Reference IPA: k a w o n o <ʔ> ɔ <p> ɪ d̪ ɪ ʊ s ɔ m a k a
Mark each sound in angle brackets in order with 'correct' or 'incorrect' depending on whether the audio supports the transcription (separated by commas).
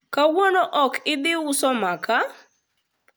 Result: correct, incorrect